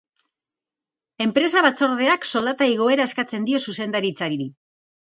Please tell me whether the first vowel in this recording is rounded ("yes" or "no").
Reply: no